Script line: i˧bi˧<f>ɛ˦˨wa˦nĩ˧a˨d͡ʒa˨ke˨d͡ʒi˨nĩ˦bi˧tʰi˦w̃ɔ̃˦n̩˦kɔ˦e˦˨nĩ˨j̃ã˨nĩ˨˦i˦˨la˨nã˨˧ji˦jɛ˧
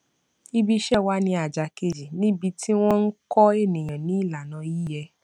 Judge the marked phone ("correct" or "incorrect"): incorrect